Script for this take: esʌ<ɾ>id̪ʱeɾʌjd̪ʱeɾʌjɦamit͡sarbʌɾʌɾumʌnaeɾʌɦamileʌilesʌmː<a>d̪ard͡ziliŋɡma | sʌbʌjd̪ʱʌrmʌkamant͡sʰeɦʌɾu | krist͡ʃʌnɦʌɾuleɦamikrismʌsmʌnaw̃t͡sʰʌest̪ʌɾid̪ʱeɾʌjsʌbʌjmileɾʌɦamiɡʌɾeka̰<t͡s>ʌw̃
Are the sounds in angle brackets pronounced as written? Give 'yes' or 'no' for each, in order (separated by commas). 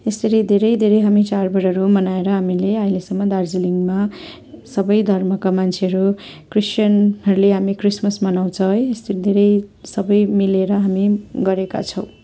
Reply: yes, no, no